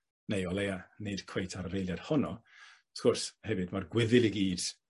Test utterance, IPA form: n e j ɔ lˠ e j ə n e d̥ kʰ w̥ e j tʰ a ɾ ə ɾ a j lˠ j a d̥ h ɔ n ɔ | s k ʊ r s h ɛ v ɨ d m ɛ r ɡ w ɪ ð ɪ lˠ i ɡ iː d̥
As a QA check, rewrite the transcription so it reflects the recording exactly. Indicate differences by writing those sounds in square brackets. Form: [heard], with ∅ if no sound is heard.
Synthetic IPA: n e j ɔ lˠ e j [a] n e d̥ kʰ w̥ e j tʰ a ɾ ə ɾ [e] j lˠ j a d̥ h ɔ n ɔ | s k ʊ r s h ɛ v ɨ d m [a] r ɡ w ɪ ð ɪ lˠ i ɡ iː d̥